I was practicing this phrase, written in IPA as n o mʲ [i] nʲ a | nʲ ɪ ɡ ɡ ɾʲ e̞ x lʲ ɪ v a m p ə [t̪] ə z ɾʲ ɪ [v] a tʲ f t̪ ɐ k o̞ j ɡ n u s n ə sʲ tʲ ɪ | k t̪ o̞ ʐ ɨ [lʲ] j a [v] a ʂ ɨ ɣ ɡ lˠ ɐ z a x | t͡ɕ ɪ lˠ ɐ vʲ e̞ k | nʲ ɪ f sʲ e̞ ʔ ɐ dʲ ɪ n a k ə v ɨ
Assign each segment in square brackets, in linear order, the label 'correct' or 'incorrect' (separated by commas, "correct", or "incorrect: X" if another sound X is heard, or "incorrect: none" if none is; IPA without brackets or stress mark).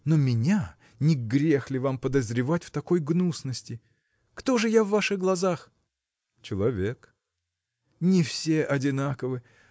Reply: incorrect: ɪ, incorrect: d̪, correct, incorrect: none, incorrect: vː